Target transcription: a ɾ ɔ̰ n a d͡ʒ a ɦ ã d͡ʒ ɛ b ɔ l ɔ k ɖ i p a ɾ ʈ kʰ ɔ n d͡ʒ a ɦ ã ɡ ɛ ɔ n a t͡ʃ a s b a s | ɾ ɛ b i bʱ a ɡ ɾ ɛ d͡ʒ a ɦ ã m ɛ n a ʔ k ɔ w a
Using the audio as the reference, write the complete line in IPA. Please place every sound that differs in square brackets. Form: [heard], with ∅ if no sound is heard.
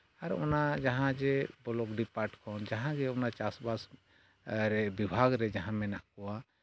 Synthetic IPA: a ɾ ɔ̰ n a d͡ʒ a ɦ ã d͡ʒ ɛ b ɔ l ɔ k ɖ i p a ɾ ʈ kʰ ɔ n d͡ʒ a ɦ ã ɡ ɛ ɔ n a t͡ʃ a s b a s | ɾ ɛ b i bʱ a ɡ ɾ ɛ d͡ʒ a ɦ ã m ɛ n a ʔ k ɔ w a

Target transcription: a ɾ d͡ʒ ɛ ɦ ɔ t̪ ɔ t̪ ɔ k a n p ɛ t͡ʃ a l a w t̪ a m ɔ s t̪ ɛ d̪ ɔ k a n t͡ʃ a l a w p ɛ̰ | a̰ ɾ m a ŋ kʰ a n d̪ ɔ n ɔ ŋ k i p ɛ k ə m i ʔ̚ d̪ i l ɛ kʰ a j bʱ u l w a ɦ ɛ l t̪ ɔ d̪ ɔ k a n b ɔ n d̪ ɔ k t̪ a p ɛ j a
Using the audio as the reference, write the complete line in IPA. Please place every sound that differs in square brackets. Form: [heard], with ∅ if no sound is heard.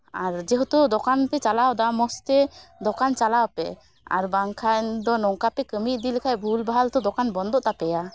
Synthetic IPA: a ɾ d͡ʒ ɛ ɦ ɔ t̪ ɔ [d̪] ɔ k a n p ɛ t͡ʃ a l a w [d̪] a m ɔ s t̪ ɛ d̪ ɔ k a n t͡ʃ a l a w p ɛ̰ | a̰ ɾ [b] a ŋ kʰ a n d̪ ɔ n ɔ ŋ k [a] p ɛ k ə m i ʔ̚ d̪ i l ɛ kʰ a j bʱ u l [b] a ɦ [a] l t̪ ɔ d̪ ɔ k a n b ɔ n d̪ ɔ [ʔ] t̪ a p ɛ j a

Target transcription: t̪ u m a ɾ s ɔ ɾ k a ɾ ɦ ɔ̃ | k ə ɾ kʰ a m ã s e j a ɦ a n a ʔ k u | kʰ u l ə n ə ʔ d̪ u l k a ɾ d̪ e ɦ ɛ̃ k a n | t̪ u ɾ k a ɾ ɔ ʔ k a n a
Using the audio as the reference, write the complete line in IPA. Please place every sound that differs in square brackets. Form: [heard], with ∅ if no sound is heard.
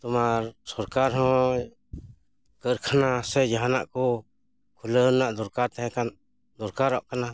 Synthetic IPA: t̪ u m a ɾ s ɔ ɾ k a ɾ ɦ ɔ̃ | k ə ɾ kʰ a [n] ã s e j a ɦ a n a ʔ k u | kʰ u l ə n [a] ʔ d̪ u [ɾ] k a ɾ [t̪] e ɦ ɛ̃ k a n | [d̪] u ɾ k a ɾ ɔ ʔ k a n a

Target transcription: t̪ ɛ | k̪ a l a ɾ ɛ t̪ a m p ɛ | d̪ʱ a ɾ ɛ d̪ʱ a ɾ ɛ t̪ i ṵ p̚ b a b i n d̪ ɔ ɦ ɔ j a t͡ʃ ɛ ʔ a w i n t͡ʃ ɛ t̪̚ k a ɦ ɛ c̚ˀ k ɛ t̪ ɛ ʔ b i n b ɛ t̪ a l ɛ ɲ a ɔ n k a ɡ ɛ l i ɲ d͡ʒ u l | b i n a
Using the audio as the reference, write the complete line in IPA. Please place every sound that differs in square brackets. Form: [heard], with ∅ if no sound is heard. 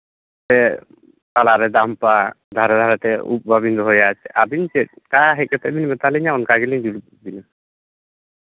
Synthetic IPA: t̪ ɛ | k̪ a l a ɾ ɛ [d̪] a m p [a] | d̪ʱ a ɾ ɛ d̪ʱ a ɾ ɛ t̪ [ɛ] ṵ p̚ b a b i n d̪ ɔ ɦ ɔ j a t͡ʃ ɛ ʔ a [b] i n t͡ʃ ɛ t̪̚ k a ɦ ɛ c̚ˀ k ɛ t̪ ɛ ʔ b i n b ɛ t̪ a l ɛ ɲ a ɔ n k a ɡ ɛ l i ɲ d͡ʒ u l | b i n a

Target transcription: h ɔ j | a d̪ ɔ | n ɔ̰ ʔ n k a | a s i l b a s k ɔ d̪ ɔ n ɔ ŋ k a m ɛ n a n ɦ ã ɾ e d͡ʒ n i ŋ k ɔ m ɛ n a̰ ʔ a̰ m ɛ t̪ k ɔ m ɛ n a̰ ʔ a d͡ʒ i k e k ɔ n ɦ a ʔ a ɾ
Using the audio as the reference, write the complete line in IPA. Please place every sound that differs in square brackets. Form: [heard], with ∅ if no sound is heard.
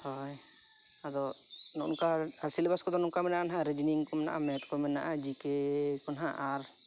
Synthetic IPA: h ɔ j | a d̪ ɔ | n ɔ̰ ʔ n k a | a s i l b a s k ɔ d̪ ɔ n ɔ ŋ k a m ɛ n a n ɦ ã ɾ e d͡ʒ n i ŋ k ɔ m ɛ n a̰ ʔ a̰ m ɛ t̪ k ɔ m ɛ n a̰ ʔ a d͡ʒ i k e k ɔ n ɦ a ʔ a ɾ

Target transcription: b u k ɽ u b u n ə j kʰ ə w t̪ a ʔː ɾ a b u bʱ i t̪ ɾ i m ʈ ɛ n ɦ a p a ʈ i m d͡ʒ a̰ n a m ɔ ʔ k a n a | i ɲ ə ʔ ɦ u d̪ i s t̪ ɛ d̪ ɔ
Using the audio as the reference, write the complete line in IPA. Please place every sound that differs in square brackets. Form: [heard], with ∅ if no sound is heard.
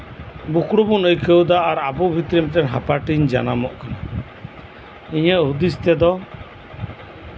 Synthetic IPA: b u k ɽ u b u n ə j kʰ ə w [d̪] a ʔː ɾ a b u bʱ i t̪ ɾ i m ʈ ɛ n ɦ a p a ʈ i [ɲ] d͡ʒ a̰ n a m ɔ ʔ k a n a | i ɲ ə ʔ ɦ u d̪ i s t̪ ɛ d̪ ɔ

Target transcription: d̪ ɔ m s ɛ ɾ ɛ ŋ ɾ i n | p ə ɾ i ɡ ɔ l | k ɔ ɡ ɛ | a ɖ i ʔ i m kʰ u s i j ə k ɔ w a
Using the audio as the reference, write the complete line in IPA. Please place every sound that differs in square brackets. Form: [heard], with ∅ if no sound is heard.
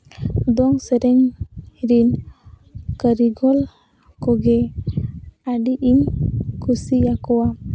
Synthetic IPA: d̪ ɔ [ŋ] s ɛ ɾ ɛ ŋ ɾ i n | [k] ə ɾ i ɡ ɔ l | k ɔ ɡ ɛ | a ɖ i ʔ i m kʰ u s i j [a] k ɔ w a

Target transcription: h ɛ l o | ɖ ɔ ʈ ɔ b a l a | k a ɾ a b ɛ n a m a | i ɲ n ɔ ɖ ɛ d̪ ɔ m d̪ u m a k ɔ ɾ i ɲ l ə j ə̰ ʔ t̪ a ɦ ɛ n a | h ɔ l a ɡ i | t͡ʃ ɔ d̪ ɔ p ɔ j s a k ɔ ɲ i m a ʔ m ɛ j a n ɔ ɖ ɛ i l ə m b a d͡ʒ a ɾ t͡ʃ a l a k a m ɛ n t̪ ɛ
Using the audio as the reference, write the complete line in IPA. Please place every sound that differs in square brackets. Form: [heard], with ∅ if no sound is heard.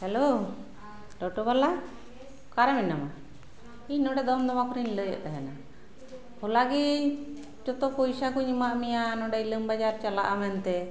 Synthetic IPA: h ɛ l o | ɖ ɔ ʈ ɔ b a l a | k a ɾ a [m] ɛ n a m a | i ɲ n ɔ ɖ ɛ d̪ ɔ m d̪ [ɔ] m a k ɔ ɾ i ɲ l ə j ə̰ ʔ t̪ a ɦ ɛ n a | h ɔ l a ɡ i | t͡ʃ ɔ [t̪] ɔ p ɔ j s a k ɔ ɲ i m a ʔ m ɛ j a n ɔ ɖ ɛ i l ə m b a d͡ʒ a ɾ t͡ʃ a l a [ʔ] a m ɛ n t̪ ɛ

